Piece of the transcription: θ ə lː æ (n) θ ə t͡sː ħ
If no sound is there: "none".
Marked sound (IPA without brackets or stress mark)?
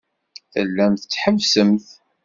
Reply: m